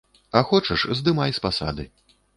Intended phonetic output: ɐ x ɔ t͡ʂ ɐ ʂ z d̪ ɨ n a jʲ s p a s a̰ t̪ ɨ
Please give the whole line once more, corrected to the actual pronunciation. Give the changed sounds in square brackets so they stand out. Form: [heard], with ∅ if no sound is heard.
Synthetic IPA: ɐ x ɔ t͡ʂ ɐ ʂ z d̪ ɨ [m] a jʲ s p a s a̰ [d̪] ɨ